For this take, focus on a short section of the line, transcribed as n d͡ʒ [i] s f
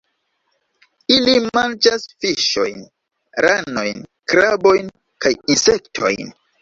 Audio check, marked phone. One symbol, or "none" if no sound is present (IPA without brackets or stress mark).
a